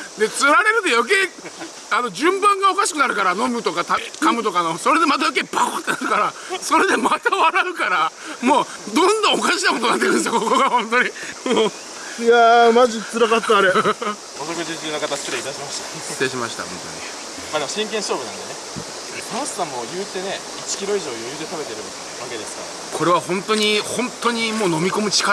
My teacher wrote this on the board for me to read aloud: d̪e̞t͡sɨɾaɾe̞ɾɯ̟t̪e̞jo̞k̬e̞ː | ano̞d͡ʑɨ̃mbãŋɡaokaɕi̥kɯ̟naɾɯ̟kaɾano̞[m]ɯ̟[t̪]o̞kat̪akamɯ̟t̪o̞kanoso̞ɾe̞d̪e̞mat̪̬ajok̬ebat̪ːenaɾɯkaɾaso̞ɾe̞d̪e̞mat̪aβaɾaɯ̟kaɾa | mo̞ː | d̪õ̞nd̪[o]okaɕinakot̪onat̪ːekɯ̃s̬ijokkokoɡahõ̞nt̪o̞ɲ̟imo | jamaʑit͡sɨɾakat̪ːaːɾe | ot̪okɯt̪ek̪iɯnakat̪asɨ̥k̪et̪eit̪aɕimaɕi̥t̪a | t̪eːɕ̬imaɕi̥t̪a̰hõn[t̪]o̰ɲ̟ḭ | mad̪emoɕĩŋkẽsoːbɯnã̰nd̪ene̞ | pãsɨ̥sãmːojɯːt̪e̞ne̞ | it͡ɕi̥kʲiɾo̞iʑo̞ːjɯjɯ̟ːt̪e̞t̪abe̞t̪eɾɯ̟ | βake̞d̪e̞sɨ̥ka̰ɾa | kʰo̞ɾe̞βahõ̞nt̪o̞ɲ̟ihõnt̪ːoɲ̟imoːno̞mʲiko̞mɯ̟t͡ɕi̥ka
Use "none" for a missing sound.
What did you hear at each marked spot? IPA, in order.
m, t̪, õ, t̪

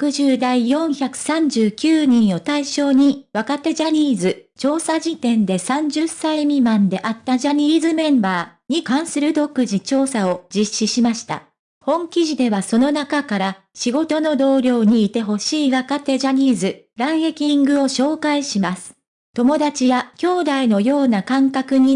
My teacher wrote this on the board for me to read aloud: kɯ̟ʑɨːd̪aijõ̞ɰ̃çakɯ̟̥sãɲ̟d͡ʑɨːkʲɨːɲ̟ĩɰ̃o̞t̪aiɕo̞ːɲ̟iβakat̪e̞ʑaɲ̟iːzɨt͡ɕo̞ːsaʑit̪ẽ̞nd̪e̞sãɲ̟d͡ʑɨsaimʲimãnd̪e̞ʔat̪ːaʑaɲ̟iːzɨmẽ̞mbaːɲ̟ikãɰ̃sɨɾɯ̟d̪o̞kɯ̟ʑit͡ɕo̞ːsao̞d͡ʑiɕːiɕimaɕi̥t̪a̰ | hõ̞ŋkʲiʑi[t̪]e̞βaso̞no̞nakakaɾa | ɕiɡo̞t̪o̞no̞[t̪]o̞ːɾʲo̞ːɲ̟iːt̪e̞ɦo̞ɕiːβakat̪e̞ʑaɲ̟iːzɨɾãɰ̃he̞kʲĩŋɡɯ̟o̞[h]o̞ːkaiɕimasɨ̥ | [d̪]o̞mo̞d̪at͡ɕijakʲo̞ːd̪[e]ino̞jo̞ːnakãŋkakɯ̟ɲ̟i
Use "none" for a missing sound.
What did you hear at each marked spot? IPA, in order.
d̪, d̪, ɕ, t̪, a

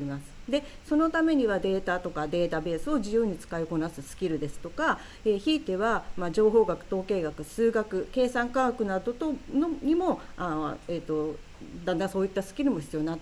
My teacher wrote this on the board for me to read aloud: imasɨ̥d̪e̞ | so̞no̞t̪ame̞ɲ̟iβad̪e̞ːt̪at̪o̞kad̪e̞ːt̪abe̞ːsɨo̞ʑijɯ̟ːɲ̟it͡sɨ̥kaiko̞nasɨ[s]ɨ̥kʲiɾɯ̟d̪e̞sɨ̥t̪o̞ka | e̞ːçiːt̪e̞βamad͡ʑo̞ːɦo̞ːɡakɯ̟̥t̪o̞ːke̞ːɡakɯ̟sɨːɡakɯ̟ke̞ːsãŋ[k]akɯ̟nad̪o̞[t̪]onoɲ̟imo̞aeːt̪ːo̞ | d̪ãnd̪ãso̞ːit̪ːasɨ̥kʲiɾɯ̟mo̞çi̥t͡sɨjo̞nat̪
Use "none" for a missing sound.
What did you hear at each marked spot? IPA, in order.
s, k, t̪

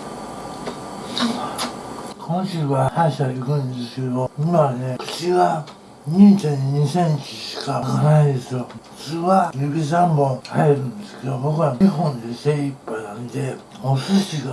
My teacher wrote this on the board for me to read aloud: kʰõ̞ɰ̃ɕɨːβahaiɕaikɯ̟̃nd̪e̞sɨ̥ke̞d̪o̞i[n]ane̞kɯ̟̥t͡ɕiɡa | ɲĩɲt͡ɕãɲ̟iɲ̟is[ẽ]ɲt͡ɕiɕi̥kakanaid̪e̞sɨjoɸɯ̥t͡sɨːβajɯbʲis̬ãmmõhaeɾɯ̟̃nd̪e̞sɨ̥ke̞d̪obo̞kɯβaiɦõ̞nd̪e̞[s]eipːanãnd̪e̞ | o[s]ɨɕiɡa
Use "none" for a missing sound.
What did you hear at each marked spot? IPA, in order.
m, ẽ, s, s

